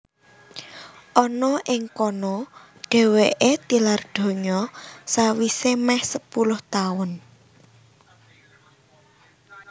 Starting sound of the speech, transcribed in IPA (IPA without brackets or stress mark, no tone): ʔ